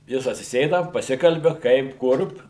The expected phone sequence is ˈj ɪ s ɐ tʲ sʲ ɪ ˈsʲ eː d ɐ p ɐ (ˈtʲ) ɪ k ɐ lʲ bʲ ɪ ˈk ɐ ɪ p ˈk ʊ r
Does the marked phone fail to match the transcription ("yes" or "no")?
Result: yes